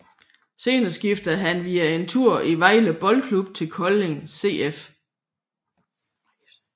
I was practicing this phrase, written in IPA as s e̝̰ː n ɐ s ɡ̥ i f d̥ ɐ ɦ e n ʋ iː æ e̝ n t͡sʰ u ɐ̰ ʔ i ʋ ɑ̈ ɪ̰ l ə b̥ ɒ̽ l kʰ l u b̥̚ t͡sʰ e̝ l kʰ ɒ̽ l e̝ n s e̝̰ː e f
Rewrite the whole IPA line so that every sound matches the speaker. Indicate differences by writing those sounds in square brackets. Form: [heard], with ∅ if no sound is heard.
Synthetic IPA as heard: s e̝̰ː n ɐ s ɡ̥ i f d̥ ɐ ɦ [æ] n ʋ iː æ e̝ n t͡sʰ u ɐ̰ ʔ i ʋ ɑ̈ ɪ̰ l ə b̥ ɒ̽ l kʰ l u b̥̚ t͡sʰ e̝ l kʰ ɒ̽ l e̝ [ŋ] s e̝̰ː e f